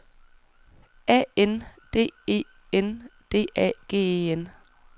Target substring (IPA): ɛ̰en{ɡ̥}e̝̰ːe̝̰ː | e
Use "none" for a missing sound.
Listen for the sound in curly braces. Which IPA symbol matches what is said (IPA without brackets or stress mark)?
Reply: d̥